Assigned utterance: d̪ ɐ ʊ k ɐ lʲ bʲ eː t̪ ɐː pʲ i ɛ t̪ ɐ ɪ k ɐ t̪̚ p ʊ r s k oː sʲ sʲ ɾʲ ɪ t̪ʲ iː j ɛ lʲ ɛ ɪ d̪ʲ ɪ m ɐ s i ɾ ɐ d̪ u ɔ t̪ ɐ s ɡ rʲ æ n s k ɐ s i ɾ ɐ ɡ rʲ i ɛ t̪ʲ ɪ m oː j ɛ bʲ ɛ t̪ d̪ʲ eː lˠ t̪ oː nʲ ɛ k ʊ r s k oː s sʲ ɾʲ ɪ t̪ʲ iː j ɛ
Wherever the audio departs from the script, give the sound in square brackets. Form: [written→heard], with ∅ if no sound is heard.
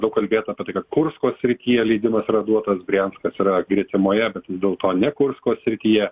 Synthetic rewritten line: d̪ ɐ ʊ k ɐ lʲ bʲ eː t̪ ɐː pʲ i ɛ t̪ ɐ ɪ k ɐ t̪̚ [p→k] ʊ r s k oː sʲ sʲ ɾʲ ɪ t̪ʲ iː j ɛ lʲ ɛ ɪ d̪ʲ ɪ m ɐ s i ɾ ɐ d̪ u ɔ t̪ ɐ s ɡ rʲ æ n s k ɐ s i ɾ ɐ ɡ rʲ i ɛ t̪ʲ ɪ m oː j ɛ bʲ ɛ t̪ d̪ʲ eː lˠ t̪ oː nʲ ɛ k ʊ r s k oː s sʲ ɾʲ ɪ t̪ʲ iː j ɛ